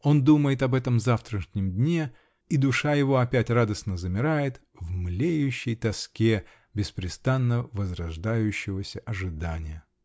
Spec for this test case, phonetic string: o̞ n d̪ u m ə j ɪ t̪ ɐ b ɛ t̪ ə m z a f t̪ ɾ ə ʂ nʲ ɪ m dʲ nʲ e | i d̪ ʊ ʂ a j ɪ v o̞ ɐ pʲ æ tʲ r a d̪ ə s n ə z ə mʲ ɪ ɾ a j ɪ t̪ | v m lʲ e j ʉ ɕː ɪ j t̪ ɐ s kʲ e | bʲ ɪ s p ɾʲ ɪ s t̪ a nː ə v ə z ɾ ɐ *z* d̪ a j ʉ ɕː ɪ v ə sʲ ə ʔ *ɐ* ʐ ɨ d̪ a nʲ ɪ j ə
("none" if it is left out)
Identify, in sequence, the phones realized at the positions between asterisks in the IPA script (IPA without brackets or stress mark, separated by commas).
ʐ, ɐ